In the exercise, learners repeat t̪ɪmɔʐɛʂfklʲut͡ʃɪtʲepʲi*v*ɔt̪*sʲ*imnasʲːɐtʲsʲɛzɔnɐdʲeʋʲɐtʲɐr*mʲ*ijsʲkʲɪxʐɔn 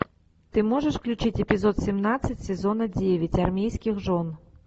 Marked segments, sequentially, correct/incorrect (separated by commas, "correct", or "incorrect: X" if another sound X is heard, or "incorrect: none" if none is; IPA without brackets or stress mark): incorrect: z, correct, correct